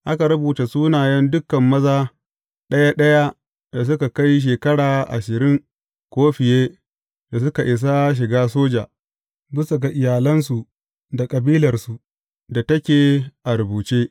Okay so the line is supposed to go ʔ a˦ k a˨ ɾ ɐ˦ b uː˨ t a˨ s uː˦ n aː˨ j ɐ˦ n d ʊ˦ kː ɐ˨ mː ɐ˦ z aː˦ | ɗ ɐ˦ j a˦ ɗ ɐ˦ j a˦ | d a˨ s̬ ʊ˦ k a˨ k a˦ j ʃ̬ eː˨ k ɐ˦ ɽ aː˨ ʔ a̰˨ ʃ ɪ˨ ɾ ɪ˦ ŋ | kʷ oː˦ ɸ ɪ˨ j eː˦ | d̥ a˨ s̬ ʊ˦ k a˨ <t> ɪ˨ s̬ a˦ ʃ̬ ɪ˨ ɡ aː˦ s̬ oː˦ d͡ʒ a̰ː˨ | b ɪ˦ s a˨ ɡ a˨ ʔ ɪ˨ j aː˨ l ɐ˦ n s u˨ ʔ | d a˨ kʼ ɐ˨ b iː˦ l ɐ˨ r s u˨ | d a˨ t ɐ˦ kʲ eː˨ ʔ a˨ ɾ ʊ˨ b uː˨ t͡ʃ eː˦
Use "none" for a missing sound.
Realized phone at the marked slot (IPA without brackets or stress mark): ʔ